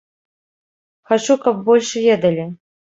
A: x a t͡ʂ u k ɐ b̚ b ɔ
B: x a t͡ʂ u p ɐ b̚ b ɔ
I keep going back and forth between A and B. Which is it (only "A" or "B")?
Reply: A